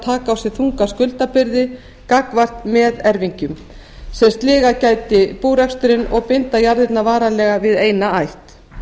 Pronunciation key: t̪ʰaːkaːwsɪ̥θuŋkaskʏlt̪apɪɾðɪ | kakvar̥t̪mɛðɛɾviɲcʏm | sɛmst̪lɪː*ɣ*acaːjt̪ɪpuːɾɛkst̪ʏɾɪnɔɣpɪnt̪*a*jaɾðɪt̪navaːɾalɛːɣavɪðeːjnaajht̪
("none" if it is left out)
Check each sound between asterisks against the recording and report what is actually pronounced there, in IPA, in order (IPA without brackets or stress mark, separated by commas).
ɣ, a